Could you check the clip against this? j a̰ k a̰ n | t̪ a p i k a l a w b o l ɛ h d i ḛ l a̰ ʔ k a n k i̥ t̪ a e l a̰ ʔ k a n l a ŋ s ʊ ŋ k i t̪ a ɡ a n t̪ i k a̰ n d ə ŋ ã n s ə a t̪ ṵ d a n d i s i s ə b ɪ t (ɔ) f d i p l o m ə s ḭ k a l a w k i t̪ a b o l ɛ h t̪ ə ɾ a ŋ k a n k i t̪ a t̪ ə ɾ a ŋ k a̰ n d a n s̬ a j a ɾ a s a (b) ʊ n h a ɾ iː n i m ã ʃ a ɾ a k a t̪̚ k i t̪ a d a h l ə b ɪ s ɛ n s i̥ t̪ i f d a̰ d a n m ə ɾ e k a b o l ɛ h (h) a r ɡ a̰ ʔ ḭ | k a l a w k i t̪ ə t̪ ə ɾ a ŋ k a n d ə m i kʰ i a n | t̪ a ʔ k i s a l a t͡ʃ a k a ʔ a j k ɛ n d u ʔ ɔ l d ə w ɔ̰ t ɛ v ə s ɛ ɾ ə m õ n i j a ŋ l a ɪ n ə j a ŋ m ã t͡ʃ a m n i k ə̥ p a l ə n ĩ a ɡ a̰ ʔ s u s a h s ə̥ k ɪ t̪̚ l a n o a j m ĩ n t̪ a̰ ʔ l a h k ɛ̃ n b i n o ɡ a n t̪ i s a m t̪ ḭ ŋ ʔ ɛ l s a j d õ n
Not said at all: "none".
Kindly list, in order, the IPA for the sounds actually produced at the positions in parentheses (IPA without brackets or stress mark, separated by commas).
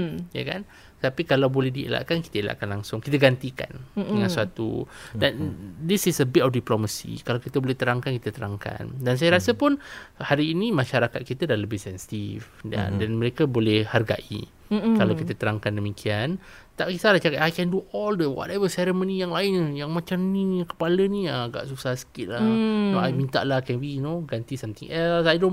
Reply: ɔ, p, h